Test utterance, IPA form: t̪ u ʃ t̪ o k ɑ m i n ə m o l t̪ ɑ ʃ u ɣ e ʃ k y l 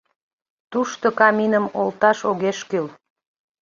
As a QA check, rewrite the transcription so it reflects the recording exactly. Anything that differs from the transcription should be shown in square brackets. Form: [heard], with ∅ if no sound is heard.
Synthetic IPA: t̪ u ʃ t̪ o k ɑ m i n ə m o l t̪ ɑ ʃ [o] ɣ e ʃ k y l